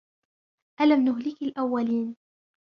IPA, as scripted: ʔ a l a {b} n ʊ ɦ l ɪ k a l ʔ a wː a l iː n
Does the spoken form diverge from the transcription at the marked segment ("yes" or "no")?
yes